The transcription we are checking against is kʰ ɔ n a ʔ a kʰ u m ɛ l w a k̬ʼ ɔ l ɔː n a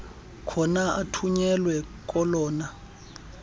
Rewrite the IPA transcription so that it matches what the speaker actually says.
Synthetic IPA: kʰ ɔ n a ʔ a tʰ u ɲ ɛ l w ɛ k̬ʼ ɔ l ɔː n a